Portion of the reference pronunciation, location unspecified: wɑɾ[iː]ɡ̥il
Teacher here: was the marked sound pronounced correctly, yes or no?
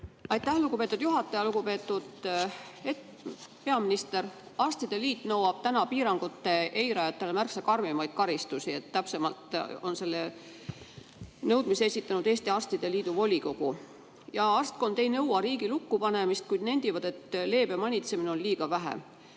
yes